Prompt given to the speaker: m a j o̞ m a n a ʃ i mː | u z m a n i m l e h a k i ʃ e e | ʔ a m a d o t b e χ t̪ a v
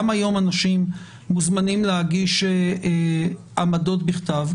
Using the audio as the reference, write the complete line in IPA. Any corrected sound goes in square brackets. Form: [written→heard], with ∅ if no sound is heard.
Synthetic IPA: m a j o̞ m a n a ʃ i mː | u z m a n i m l e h a [k→ɡ] i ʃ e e | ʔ a m a d o t b [e→i] χ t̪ a v